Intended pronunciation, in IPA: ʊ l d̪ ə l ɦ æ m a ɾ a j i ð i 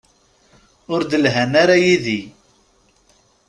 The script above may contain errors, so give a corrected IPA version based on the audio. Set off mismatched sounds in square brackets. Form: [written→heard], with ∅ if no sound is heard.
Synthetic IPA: ʊ [l→ɾ] d̪ ə l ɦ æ [m→n] a ɾ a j i ð i